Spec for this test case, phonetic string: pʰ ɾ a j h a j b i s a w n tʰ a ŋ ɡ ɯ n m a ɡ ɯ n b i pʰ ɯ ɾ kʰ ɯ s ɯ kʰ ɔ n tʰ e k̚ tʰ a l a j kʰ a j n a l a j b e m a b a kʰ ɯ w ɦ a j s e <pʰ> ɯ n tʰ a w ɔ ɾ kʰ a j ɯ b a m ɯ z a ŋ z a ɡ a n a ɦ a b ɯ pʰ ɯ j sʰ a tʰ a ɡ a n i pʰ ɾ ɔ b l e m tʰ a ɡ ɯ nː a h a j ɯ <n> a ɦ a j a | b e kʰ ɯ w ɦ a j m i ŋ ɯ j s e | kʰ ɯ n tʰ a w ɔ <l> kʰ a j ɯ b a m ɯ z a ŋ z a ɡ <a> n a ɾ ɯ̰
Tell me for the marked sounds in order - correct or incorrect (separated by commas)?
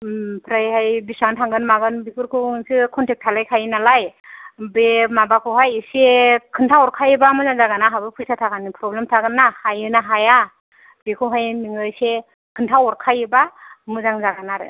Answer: incorrect, correct, incorrect, correct